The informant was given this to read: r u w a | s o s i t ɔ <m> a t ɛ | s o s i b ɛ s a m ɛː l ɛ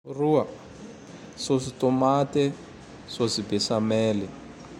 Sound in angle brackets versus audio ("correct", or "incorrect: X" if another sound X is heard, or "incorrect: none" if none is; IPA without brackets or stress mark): correct